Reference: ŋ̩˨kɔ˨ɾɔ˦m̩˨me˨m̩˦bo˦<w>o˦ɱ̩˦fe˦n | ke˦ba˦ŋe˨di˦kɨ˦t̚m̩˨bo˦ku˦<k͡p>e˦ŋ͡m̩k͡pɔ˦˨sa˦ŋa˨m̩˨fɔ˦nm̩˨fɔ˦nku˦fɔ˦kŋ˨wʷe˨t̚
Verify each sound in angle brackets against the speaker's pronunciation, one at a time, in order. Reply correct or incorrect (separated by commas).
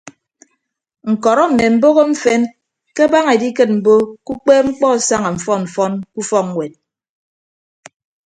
incorrect, correct